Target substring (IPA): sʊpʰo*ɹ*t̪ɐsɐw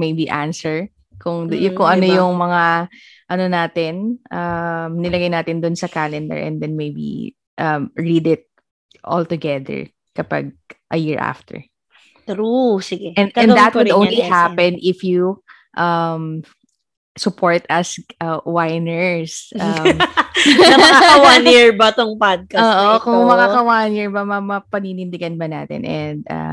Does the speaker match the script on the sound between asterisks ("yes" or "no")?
yes